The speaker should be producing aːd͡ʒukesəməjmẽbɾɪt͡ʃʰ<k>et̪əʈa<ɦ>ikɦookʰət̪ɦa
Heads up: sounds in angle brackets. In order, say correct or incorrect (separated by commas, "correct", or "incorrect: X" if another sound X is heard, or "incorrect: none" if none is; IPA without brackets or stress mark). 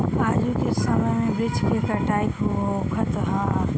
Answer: correct, incorrect: none